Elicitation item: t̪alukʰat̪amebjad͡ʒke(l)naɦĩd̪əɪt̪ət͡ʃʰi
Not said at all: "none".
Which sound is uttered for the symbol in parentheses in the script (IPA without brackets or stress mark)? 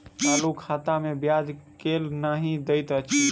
l